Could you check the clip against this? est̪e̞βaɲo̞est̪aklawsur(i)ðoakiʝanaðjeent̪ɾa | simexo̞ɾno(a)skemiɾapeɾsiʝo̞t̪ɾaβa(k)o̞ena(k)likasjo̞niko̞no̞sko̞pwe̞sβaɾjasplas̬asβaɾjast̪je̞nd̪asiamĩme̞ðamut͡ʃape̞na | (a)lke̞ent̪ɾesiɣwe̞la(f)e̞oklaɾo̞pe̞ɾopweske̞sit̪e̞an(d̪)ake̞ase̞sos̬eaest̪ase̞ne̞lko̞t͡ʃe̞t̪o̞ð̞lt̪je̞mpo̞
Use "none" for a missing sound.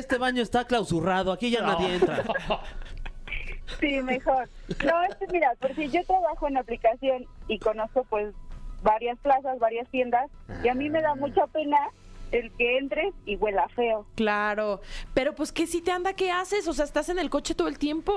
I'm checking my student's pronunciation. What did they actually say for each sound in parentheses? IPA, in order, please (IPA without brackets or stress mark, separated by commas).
a, e, x, p, e, f, d̪